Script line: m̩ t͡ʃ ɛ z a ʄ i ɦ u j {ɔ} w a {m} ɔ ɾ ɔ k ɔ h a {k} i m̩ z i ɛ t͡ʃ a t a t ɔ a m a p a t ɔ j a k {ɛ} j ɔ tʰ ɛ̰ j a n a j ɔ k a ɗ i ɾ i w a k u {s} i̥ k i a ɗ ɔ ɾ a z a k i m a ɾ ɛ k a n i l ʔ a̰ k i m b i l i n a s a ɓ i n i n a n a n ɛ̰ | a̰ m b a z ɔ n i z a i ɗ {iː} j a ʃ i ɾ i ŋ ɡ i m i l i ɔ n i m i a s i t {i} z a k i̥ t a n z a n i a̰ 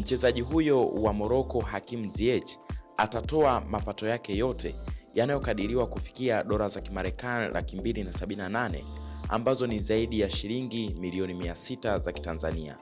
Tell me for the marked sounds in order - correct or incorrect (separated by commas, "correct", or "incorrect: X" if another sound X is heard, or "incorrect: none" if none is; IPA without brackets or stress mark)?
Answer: correct, correct, correct, correct, incorrect: f, incorrect: i, incorrect: a